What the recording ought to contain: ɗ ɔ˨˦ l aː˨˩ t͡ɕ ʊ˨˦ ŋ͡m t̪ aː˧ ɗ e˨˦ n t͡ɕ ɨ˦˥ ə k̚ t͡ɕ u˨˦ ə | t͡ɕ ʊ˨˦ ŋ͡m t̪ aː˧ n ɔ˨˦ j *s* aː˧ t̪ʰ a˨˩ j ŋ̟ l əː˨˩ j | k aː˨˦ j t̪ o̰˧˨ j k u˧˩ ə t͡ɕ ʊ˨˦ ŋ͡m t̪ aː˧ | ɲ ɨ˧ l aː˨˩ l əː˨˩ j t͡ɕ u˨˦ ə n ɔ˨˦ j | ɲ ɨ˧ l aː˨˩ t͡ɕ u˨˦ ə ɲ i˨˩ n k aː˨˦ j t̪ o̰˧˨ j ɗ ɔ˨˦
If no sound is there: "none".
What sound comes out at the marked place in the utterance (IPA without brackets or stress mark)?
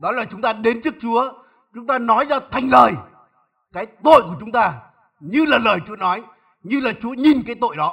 z